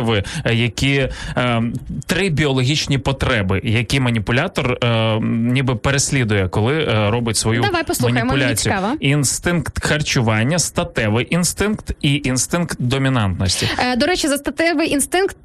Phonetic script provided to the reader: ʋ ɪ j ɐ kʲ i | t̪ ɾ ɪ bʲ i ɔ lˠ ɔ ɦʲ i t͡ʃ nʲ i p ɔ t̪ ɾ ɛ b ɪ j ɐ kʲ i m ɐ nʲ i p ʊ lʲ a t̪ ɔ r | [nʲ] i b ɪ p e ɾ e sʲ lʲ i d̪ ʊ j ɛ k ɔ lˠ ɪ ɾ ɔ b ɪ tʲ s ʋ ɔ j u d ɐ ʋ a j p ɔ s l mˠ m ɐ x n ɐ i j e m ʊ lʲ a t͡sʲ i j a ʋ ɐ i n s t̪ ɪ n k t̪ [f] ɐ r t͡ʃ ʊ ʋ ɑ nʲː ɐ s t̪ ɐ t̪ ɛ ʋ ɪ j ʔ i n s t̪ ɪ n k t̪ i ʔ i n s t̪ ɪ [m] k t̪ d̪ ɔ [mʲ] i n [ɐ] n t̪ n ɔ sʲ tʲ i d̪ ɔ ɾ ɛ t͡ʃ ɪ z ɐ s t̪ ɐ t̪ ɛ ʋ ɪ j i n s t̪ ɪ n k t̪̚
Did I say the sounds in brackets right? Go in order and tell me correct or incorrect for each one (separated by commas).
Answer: correct, incorrect, incorrect, correct, incorrect